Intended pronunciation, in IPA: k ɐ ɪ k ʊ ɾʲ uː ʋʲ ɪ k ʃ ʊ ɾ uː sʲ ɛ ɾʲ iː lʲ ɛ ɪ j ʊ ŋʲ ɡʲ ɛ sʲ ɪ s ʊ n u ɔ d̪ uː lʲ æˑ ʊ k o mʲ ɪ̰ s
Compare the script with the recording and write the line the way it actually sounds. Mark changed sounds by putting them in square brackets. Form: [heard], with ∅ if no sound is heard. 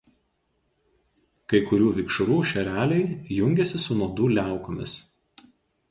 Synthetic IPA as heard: k ɐ ɪ k ʊ ɾʲ uː ʋʲ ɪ k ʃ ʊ ɾ uː [ʃʲ] ɛ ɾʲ [æː] lʲ ɛ ɪ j ʊ ŋʲ ɡʲ ɛ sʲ ɪ s ʊ n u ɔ d̪ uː lʲ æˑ ʊ k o mʲ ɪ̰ s